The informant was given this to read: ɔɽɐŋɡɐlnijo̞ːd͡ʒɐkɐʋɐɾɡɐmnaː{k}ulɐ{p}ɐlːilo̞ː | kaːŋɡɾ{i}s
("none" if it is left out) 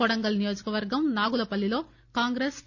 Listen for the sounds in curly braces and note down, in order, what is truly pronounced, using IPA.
ɡ, p, e

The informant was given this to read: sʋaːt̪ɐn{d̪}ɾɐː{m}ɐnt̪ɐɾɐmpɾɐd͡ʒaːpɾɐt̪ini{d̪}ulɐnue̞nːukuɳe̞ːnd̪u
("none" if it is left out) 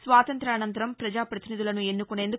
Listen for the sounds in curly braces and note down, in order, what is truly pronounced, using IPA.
t̪, n, d̪

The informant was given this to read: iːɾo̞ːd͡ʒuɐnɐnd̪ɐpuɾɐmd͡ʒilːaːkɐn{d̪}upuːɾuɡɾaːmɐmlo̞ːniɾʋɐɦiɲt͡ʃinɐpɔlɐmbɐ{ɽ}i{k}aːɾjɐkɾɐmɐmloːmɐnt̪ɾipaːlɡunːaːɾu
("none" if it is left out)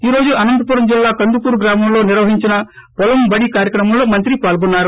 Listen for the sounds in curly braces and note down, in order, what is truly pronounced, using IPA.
d̪, ɽ, k

